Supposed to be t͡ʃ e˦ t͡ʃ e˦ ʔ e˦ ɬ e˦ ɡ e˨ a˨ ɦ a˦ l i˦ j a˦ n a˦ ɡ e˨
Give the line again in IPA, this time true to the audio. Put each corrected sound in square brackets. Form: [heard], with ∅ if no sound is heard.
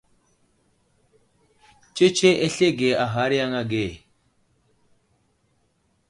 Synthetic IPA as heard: t͡ʃ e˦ t͡ʃ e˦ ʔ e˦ ɬ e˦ ɡ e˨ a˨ ɦ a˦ [ɾ] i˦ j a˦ [ŋ] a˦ ɡ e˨